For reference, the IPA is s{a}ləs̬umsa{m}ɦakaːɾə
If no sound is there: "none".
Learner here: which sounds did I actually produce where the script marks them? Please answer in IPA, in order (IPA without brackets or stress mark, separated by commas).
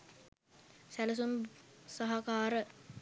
æ, none